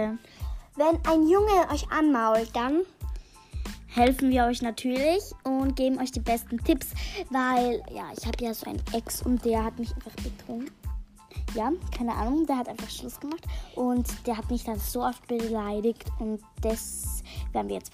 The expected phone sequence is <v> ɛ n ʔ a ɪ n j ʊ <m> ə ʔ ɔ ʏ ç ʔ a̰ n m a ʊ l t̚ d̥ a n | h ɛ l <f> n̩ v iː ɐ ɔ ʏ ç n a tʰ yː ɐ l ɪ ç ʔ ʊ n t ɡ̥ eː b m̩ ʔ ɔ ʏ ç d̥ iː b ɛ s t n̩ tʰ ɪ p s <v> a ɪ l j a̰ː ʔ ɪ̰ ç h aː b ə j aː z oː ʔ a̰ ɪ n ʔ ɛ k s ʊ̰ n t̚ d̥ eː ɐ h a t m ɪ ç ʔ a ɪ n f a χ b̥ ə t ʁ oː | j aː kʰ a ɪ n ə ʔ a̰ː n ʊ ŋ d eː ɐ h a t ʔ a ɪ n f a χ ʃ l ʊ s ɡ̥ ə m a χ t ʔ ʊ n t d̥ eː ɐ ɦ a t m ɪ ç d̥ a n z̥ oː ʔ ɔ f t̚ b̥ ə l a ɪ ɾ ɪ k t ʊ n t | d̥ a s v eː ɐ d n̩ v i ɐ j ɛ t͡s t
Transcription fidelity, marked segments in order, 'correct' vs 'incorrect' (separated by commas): correct, incorrect, correct, correct